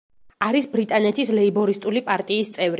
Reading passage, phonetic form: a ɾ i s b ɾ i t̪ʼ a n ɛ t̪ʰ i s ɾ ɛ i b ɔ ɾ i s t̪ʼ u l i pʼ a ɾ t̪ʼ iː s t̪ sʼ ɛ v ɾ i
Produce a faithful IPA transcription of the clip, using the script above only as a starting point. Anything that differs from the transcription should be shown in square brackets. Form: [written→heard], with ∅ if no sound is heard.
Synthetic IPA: a ɾ i s b ɾ i t̪ʼ a n ɛ t̪ʰ i s [ɾ→l] ɛ i b ɔ ɾ i s t̪ʼ u l i pʼ a ɾ t̪ʼ iː s t̪ sʼ ɛ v ɾ i